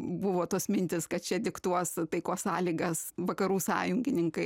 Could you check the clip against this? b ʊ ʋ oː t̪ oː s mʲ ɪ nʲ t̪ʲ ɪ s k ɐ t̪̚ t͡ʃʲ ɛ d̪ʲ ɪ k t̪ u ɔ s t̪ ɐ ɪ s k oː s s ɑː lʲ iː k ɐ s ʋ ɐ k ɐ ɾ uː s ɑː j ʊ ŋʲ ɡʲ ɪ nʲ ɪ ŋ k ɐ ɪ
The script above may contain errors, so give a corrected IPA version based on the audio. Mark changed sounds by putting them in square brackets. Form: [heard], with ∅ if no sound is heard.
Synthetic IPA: b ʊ ʋ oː t̪ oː s mʲ ɪ nʲ t̪ʲ ɪ s k ɐ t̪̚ t͡ʃʲ ɛ d̪ʲ ɪ k t̪ u ɔ s t̪ ɐ ɪ [∅] k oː s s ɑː lʲ iː [ɡ] ɐ s ʋ ɐ k ɐ ɾ uː s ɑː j ʊ ŋʲ ɡʲ ɪ nʲ ɪ ŋ k ɐ ɪ